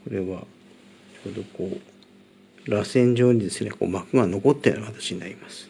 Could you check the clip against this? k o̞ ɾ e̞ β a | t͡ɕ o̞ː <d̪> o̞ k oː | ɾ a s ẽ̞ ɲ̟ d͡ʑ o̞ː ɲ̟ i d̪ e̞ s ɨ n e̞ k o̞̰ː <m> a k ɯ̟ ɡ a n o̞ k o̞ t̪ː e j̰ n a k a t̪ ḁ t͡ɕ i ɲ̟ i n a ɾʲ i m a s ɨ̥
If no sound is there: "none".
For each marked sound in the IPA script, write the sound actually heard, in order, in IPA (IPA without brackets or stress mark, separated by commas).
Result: d̪, m